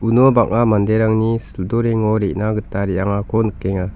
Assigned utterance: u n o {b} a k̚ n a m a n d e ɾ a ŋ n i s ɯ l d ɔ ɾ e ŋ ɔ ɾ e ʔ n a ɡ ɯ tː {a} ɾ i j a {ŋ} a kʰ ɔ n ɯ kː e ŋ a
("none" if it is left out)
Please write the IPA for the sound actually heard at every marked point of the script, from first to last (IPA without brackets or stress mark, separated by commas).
b, a, ŋ